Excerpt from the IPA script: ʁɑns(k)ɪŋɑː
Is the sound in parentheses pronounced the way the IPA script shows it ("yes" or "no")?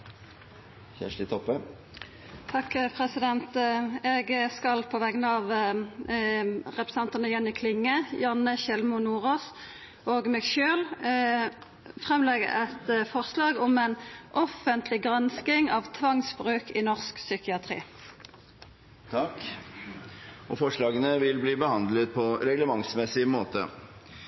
yes